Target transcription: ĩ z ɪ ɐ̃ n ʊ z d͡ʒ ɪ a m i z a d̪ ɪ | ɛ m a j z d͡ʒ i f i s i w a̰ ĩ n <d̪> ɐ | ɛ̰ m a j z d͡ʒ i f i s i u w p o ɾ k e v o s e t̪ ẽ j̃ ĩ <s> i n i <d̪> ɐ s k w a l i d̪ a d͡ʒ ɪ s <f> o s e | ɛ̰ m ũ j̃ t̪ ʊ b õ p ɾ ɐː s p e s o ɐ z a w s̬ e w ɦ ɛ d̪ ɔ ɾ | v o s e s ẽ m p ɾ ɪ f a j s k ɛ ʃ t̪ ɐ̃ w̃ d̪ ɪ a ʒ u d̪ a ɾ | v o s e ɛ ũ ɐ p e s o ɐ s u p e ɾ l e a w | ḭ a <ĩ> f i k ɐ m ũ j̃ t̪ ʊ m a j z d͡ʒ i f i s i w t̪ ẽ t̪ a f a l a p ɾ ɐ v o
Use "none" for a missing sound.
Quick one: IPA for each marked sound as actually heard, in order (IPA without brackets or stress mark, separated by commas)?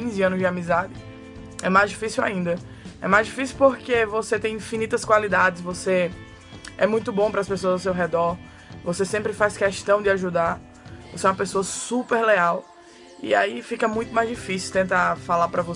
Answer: d̪, f, t̪, v, i